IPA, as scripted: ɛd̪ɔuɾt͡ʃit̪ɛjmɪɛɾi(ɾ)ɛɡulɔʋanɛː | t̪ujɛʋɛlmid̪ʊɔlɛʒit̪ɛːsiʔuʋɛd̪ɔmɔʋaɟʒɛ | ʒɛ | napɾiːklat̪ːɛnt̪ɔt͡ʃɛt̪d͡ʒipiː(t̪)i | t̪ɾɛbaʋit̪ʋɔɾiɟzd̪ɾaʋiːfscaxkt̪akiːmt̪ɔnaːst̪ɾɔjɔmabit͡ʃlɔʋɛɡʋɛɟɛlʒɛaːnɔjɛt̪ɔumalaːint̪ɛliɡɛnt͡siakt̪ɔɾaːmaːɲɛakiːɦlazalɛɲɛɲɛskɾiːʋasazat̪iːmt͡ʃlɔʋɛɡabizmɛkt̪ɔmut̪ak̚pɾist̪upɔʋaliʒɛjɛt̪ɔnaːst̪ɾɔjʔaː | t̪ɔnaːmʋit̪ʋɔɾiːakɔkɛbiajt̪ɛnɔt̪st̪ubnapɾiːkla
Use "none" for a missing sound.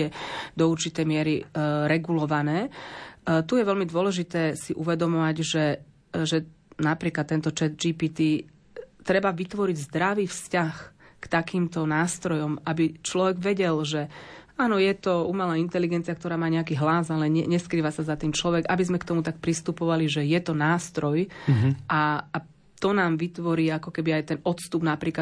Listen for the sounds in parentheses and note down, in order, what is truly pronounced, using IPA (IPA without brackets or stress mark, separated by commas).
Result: ɾ, t̪